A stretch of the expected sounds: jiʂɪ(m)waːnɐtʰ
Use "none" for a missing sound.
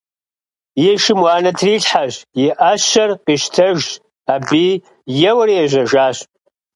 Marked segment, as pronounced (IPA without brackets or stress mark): m